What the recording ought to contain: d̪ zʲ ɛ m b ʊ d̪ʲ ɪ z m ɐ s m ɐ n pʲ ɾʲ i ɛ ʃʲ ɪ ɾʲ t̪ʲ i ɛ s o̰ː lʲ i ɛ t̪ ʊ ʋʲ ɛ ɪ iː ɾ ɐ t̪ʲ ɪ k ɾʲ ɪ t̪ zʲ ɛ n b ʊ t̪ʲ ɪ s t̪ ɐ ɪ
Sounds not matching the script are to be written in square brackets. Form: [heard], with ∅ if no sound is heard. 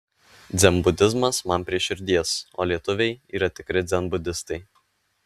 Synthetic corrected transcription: d̪ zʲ ɛ m b ʊ d̪ʲ ɪ z m ɐ s m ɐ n pʲ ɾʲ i ɛ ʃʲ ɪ ɾʲ [d̪ʲ] i ɛ s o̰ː lʲ i ɛ t̪ ʊ ʋʲ ɛ ɪ iː ɾ ɐ t̪ʲ ɪ k ɾʲ ɪ [d̪] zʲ ɛ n b ʊ [d̪ʲ] ɪ s t̪ ɐ ɪ